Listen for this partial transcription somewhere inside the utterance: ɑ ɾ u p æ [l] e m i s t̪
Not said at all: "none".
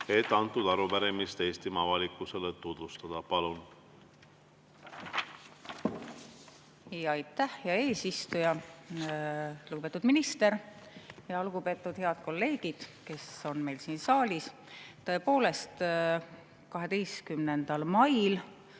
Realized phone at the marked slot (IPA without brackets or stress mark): ɾ